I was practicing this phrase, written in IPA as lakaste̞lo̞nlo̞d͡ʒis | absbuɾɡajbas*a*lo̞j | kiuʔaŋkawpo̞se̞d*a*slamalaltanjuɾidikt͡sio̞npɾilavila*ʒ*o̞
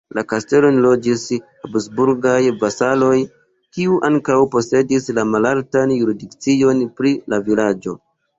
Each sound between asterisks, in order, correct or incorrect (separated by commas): correct, incorrect, incorrect